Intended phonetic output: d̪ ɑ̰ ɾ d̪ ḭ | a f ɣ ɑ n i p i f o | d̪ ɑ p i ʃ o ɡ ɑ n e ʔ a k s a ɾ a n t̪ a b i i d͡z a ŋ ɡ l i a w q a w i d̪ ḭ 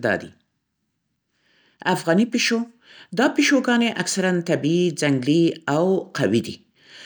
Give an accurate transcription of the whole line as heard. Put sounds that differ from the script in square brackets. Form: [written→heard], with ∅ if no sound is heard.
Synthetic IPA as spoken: d̪ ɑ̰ [ɾ→∅] d̪ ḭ | a f ɣ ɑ n i p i [f→ʃ] o | d̪ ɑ p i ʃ o ɡ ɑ n e ʔ a k s a ɾ a n t̪ a b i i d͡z a ŋ ɡ l i a w q a w i d̪ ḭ

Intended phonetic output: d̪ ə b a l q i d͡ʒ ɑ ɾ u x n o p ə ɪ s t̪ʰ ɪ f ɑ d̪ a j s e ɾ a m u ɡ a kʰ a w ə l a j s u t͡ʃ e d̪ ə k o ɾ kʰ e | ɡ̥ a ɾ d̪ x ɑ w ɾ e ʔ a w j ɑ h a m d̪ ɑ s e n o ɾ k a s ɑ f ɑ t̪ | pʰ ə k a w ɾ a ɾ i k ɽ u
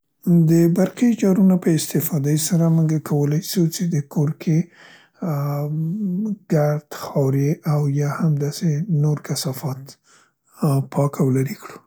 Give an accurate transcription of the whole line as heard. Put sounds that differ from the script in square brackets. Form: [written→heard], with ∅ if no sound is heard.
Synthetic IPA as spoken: d̪ ə b a [l→ɾ] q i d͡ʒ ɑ ɾ u [x→∅] n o p ə ɪ s [t̪ʰ→t̪] ɪ f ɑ d̪ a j s [e→a] ɾ a m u ɡ a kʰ a w ə l a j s u t͡ʃ e d̪ ə k o ɾ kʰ e | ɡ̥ a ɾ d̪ x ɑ w ɾ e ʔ a w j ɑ h a m d̪ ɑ s e n o ɾ k a s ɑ f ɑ t̪ | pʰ [ə→ɑ] k a w [ɾ→l] a ɾ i k ɽ u

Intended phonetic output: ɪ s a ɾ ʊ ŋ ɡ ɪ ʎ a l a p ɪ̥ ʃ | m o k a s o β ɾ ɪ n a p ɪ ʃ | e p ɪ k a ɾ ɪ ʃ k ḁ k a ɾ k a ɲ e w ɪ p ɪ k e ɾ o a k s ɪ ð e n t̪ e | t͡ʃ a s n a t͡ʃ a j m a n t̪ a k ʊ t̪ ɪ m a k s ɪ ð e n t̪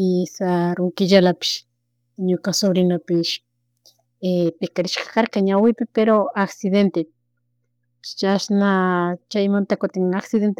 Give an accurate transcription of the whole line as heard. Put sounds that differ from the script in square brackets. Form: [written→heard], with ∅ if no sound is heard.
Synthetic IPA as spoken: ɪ s a ɾ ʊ ŋ [ɡ→k] ɪ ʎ a l a p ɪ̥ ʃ | [m→ɲ] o k a s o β ɾ ɪ n a p ɪ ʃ | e p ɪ k a ɾ ɪ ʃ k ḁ k a ɾ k a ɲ [e→a] w ɪ p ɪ [k→p] e ɾ o a k s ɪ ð e n t̪ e | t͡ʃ a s n a t͡ʃ a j m a n t̪ a k ʊ t̪ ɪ [m→ŋ] a k s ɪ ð e n t̪

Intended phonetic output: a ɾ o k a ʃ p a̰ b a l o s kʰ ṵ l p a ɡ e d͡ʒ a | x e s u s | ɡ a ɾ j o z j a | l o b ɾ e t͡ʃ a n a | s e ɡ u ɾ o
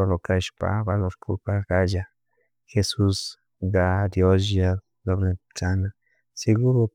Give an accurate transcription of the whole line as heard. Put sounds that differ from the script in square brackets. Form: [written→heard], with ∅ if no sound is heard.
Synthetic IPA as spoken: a [ɾ→l] o k a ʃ p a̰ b a l o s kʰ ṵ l p a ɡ [e→a] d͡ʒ a | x e s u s | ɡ a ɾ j o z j a | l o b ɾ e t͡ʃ a n a | s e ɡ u ɾ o

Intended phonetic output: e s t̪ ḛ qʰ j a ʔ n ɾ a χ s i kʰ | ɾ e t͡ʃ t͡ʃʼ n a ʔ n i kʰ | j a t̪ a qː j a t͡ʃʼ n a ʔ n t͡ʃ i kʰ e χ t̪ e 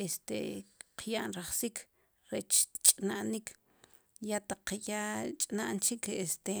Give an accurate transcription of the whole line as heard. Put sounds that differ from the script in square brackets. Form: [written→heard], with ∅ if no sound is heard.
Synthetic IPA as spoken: e s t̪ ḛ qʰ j a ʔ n ɾ a χ s i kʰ | ɾ e t͡ʃ t͡ʃʼ n a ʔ n i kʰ | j a t̪ a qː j a t͡ʃʼ n a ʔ n t͡ʃ i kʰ e [χ→s] t̪ e

